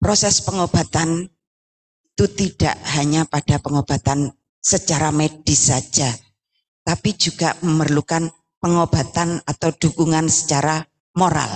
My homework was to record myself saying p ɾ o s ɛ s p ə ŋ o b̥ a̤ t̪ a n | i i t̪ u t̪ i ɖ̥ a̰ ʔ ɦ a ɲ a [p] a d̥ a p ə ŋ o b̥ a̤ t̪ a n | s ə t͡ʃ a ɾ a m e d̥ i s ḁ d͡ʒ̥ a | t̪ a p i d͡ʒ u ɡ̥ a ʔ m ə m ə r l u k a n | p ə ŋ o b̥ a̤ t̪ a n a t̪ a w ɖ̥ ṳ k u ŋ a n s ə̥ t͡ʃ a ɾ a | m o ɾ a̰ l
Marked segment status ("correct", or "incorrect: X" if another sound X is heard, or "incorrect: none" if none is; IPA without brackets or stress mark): correct